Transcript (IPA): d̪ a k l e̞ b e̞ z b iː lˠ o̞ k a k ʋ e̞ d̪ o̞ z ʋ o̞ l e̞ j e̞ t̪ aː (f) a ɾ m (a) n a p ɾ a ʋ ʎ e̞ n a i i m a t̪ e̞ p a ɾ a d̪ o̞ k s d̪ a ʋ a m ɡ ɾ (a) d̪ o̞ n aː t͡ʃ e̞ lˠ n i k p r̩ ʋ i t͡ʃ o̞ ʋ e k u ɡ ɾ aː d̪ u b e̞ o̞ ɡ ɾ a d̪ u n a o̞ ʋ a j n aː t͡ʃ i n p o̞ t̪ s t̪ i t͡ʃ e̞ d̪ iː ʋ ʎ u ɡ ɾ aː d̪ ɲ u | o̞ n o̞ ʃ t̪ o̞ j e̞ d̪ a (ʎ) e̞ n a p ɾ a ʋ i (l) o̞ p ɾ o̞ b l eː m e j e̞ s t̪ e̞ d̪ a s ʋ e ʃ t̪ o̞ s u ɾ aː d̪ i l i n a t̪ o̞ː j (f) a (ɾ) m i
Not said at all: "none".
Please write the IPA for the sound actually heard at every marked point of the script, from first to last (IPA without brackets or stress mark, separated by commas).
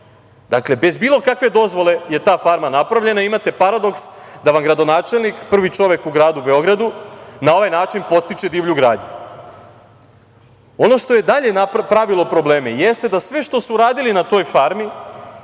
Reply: f, a, a, ʎ, l, f, ɾ